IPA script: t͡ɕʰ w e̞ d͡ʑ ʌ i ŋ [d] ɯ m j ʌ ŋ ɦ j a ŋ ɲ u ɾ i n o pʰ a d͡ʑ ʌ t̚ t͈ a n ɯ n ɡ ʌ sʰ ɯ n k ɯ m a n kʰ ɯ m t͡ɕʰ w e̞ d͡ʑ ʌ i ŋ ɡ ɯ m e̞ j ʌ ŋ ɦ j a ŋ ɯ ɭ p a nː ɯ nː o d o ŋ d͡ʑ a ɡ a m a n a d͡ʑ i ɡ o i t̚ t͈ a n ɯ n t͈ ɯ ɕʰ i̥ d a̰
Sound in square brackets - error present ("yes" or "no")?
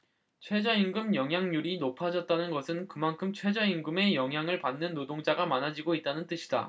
yes